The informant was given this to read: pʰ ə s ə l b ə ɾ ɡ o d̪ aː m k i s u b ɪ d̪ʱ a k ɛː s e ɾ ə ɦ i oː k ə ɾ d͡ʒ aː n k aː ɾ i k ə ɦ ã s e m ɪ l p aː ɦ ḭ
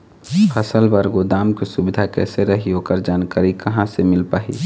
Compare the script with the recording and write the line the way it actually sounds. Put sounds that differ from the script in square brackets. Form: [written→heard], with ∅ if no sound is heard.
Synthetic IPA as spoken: pʰ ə s ə l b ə ɾ ɡ o d̪ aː m k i s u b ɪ d̪ʱ a k ɛː s e ɾ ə ɦ i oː k ə ɾ d͡ʒ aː n k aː ɾ i k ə ɦ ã s e m ɪ l p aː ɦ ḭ